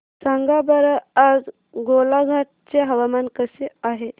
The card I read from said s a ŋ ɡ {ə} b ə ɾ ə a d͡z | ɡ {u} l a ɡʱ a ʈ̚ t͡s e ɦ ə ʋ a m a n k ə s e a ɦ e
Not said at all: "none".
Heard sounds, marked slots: a, o

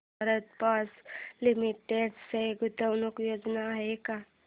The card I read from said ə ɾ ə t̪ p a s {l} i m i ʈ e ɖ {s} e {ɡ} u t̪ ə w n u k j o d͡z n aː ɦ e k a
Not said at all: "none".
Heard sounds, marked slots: l, s, ɡ

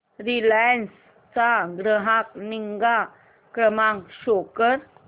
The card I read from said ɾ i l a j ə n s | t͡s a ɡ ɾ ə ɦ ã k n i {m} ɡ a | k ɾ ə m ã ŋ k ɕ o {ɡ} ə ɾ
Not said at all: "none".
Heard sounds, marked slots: ŋ, k

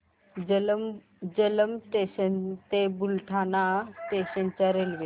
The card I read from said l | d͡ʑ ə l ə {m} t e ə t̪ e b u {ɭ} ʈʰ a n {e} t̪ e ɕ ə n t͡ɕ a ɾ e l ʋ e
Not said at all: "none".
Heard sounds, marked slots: m, l, a

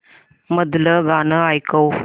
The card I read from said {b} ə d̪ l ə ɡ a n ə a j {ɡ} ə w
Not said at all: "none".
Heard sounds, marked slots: m, k

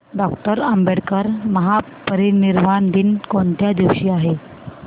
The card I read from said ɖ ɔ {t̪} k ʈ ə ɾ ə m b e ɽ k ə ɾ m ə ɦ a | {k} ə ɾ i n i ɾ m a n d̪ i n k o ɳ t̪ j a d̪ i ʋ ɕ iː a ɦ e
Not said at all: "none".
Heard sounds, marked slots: none, p

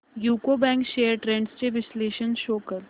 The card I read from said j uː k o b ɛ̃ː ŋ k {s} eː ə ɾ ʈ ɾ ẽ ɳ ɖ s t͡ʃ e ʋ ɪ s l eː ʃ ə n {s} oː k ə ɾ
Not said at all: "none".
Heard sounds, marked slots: ʃ, ʃ

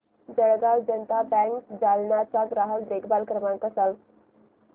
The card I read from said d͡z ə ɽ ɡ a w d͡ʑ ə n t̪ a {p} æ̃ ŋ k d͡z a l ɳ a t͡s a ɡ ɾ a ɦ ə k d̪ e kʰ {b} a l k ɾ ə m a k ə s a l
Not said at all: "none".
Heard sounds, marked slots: b, b

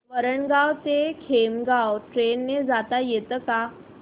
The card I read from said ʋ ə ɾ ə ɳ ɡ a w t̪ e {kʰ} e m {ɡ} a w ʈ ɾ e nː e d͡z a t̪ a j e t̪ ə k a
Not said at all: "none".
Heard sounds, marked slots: kʰ, ɡ

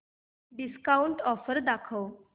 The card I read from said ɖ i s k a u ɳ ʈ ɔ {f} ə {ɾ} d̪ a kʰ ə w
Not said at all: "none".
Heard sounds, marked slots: f, ɾ

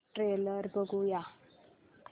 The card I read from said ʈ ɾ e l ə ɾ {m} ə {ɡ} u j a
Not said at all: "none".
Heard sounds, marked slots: b, ɡ

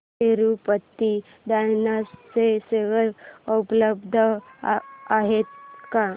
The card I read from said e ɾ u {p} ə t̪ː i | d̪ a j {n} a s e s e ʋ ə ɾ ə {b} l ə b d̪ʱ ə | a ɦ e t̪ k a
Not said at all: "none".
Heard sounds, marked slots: p, n, p

